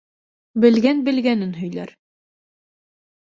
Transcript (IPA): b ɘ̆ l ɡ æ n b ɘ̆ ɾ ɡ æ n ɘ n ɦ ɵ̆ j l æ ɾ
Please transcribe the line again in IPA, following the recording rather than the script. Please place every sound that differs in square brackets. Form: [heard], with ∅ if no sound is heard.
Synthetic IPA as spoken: b ɘ̆ l ɡ æ n b ɘ̆ [l] ɡ æ n ɘ n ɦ ɵ̆ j l æ ɾ